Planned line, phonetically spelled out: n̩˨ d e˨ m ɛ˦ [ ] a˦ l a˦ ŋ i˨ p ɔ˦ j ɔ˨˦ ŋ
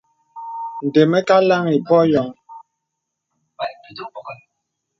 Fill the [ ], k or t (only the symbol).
k